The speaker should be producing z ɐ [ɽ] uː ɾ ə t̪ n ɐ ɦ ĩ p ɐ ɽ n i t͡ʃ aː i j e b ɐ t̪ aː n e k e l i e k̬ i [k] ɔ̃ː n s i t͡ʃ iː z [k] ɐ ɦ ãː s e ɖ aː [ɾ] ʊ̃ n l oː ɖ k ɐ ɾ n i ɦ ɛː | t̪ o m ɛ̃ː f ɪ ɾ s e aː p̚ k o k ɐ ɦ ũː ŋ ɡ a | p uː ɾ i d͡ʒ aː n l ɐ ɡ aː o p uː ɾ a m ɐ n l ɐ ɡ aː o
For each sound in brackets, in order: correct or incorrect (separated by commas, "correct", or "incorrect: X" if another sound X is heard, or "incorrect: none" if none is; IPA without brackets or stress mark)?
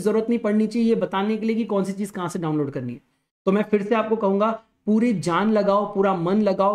incorrect: ɾ, correct, correct, incorrect: none